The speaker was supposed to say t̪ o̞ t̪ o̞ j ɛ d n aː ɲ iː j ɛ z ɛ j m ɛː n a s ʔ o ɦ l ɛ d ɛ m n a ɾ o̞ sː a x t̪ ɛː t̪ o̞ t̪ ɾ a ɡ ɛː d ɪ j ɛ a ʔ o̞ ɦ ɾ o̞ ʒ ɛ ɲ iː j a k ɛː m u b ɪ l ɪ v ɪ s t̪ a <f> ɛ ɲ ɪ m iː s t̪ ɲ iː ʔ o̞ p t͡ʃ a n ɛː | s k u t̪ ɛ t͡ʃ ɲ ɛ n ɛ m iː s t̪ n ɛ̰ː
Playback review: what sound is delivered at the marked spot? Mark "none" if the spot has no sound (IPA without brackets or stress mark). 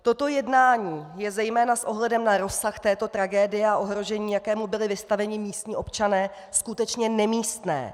v